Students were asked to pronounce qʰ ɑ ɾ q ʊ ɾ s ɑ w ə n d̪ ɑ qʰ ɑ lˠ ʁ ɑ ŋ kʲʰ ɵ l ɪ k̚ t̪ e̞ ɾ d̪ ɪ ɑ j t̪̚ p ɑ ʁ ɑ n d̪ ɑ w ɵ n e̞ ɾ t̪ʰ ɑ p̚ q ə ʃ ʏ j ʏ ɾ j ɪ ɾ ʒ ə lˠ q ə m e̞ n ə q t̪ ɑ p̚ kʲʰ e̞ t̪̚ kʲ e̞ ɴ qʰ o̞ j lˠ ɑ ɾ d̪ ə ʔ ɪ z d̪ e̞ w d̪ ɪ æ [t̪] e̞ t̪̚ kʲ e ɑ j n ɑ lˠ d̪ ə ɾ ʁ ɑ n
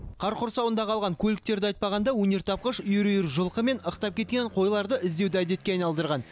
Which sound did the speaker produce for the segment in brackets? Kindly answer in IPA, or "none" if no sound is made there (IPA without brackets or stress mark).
d̪